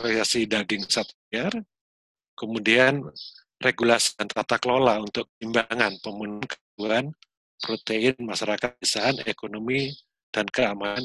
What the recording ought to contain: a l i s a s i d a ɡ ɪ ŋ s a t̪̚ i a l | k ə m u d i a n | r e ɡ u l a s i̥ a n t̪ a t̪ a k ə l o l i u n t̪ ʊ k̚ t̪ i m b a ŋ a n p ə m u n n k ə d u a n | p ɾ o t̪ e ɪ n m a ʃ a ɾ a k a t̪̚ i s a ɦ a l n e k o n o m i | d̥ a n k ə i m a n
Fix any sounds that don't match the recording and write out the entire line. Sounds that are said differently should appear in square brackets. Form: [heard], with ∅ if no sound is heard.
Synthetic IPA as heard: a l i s a s i d a ɡ ɪ ŋ s a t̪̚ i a [r] | k ə m u d i a n | r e ɡ u l a s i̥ a n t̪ a t̪ a k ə l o l [a] u n t̪ ʊ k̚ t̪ i m b a ŋ a n p ə m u n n k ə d u a n | p ɾ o t̪ e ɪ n m a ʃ a ɾ a k a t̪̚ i s a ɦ a [∅] n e k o n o m i | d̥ a n k ə [a] m a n